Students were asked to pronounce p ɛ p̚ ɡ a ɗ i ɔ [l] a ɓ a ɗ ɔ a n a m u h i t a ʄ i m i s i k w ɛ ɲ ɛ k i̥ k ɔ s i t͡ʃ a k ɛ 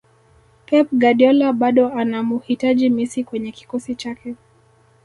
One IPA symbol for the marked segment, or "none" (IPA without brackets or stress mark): l